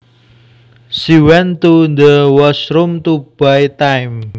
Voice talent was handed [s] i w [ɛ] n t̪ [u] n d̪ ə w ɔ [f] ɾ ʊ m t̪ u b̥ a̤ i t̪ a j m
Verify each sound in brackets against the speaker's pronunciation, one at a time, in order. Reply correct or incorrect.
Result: correct, correct, correct, incorrect: s

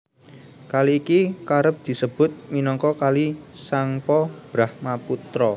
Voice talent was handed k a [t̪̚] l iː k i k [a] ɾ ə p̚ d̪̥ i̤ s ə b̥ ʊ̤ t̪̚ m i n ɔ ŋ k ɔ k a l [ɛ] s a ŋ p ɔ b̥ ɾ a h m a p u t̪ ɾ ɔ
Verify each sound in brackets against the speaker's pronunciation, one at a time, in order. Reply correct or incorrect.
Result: incorrect: none, correct, incorrect: i

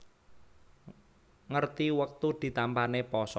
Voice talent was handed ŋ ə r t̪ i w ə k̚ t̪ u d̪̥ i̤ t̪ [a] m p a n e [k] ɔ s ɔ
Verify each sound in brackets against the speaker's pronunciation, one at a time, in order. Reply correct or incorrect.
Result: correct, incorrect: p

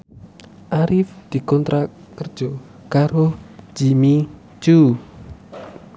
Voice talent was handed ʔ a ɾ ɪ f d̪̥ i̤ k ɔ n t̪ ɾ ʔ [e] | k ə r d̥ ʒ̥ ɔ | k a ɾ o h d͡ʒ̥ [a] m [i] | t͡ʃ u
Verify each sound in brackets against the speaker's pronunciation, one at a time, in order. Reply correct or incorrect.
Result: incorrect: a, incorrect: i, correct

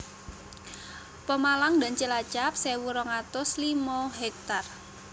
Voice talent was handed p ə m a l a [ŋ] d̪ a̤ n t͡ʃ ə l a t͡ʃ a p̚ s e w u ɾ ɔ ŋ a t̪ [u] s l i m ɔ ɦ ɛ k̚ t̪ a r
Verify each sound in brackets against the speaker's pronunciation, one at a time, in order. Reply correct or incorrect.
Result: correct, incorrect: ʊ

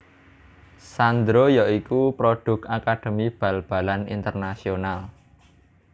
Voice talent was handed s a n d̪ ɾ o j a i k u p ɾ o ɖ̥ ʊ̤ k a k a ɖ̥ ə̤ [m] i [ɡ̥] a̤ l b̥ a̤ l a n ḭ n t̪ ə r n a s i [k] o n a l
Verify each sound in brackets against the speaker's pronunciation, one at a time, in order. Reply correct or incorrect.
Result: correct, incorrect: b̥, incorrect: none

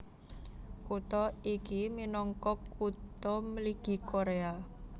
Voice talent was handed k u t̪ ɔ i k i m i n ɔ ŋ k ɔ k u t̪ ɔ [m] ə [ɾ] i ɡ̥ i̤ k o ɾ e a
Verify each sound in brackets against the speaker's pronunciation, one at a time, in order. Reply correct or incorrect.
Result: correct, incorrect: l

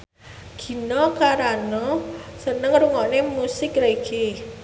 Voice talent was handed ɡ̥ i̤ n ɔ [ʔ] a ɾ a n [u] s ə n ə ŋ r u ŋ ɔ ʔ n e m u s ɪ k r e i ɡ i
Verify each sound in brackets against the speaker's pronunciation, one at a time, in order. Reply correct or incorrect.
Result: incorrect: k, incorrect: ɔ

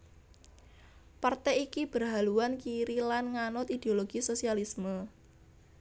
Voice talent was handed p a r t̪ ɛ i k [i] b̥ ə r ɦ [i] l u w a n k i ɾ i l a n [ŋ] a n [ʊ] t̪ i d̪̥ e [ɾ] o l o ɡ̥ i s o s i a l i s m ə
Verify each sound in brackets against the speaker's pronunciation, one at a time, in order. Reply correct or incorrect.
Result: correct, incorrect: a, correct, correct, incorrect: none

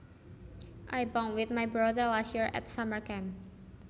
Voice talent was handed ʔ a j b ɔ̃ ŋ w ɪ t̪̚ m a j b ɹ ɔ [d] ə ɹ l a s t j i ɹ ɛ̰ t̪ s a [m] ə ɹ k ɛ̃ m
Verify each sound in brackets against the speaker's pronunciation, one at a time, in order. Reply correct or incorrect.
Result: correct, correct

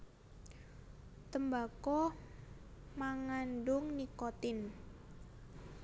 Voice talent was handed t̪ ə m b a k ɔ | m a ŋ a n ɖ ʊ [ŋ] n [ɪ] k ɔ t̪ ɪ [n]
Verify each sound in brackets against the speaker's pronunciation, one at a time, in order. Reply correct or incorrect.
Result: correct, incorrect: i, correct

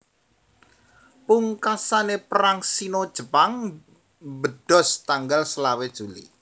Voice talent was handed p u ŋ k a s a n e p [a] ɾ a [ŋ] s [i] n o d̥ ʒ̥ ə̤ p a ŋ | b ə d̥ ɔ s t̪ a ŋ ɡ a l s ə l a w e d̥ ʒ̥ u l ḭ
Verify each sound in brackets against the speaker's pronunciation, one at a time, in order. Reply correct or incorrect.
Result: incorrect: ə, correct, correct

